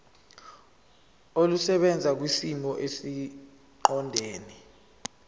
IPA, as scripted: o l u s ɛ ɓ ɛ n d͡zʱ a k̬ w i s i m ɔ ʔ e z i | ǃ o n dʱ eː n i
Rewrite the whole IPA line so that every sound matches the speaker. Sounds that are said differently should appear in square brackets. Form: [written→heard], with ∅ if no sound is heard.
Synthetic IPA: o l u s ɛ ɓ ɛ n d͡zʱ a k̬ w i s i m ɔ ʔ e [z→s] i | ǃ [o→ɔ] n dʱ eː n i